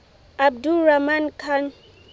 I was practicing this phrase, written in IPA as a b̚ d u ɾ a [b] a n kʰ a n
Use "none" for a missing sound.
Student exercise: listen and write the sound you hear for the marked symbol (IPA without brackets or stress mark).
m